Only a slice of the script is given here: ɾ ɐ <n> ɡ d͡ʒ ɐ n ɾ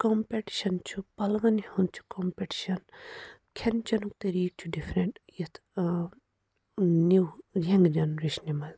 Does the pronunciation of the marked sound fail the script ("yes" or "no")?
yes